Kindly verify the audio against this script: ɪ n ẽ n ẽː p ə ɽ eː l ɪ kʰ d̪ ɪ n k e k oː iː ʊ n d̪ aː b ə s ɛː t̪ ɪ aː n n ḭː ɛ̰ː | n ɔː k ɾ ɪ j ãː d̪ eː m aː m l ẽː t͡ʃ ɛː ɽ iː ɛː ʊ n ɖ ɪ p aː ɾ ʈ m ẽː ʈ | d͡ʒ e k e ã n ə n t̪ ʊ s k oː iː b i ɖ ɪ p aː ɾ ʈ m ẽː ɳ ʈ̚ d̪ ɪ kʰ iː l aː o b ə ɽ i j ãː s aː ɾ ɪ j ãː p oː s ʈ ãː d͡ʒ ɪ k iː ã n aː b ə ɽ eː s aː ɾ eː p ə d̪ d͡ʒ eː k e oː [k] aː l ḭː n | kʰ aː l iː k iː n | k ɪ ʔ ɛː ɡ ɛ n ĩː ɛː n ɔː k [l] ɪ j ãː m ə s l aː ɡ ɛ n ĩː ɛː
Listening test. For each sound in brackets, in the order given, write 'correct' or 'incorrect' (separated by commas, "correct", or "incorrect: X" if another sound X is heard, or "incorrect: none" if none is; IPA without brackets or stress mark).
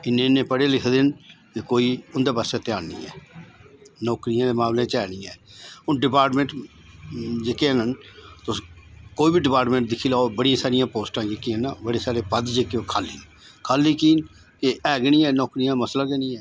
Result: incorrect: kʰ, incorrect: ɾ